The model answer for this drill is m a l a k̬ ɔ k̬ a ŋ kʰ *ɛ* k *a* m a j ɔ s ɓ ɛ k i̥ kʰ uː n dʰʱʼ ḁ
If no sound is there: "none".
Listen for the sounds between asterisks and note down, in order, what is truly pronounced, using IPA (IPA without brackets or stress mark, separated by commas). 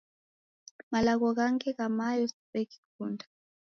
ɛ, a